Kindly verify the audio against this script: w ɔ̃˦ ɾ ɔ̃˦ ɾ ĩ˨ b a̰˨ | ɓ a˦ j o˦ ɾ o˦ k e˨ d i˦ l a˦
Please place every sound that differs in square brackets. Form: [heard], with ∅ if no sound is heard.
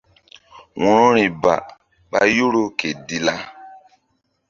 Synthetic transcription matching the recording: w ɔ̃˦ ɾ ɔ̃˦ ɾ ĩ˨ b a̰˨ | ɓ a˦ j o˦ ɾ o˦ k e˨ d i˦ l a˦